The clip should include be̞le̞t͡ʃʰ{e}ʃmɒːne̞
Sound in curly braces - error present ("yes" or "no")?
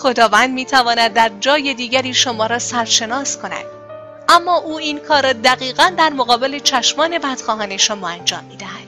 yes